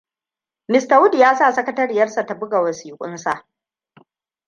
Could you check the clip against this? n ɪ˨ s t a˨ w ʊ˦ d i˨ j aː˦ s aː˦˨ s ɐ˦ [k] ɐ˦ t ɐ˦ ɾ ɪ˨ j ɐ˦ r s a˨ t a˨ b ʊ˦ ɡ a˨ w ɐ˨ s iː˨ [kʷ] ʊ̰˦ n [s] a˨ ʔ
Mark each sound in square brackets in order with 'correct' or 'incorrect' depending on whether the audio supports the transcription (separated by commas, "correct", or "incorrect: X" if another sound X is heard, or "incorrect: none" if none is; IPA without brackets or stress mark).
correct, incorrect: kʷʼ, correct